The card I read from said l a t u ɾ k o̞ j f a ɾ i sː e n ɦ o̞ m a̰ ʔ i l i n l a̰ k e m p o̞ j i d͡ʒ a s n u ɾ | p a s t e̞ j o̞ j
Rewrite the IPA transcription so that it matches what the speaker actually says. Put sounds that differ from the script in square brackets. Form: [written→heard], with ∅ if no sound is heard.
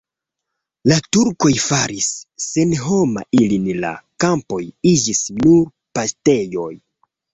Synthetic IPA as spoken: l a t u ɾ k o̞ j f a ɾ i sː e n ɦ o̞ m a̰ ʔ i l i n l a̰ k [e→a] m p o̞ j i d͡ʒ [a→i] s n u ɾ | p a s t e̞ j o̞ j